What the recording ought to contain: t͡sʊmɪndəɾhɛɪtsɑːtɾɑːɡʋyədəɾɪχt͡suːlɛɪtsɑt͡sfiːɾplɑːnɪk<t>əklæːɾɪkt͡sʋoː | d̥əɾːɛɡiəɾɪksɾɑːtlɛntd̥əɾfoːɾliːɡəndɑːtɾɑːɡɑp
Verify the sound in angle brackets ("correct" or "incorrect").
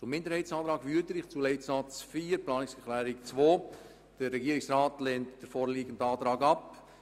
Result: incorrect